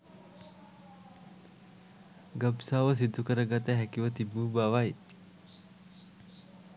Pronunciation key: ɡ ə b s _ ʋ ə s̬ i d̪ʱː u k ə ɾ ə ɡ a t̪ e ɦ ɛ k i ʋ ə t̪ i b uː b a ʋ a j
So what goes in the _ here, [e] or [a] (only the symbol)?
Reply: a